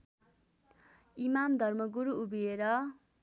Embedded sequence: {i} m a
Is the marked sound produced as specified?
yes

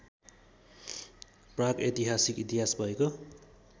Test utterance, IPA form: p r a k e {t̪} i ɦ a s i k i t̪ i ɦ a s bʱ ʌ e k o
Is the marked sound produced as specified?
yes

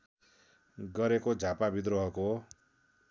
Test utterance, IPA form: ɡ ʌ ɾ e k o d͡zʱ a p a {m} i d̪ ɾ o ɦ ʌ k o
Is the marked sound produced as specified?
no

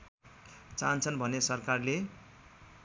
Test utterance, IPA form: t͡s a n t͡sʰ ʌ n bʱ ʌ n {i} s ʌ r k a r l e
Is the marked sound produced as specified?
no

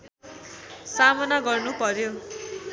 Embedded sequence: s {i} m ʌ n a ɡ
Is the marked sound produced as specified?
no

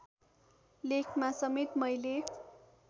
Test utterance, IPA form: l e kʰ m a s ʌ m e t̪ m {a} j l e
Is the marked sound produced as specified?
no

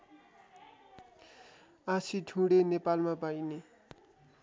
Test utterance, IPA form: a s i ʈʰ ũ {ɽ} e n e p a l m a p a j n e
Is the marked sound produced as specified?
yes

